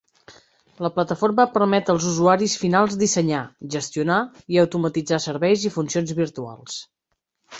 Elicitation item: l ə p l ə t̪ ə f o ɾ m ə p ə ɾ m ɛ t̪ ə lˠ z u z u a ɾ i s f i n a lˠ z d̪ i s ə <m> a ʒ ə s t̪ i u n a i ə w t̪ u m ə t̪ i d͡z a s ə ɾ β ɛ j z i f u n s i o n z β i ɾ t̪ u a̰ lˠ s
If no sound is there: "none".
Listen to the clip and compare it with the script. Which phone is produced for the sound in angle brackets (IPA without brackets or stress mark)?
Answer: ɲ